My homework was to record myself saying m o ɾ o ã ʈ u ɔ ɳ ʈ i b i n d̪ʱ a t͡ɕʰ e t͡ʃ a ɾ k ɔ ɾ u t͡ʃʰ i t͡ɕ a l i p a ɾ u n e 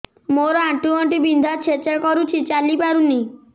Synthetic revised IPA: m o ɾ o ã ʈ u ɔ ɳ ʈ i b i n d̪ʱ a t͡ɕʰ e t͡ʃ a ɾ k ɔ ɾ u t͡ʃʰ i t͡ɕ a l i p a ɾ u n i